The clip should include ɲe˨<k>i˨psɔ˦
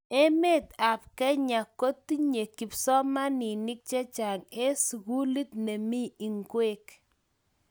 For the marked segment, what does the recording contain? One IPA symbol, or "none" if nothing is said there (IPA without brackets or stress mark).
k